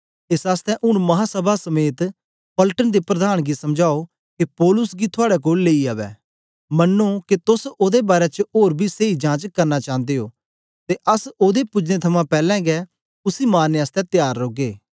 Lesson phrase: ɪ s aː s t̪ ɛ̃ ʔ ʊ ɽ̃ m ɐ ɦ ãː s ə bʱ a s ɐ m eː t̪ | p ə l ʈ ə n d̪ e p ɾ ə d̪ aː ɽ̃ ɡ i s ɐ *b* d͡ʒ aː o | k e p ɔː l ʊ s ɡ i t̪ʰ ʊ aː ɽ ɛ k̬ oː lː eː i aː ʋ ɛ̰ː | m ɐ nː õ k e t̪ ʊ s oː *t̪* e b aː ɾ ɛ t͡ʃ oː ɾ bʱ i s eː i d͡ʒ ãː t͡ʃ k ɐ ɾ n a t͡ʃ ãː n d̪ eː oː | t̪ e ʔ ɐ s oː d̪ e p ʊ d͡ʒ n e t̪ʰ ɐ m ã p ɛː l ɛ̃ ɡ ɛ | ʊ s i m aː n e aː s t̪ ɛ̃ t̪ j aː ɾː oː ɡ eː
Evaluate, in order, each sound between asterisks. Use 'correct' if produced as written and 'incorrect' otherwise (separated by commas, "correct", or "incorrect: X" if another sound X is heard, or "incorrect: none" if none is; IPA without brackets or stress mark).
incorrect: m, incorrect: d̪